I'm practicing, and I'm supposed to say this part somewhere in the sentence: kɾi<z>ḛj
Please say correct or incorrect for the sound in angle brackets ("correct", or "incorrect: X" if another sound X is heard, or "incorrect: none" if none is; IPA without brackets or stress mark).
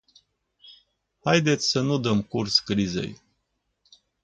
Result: correct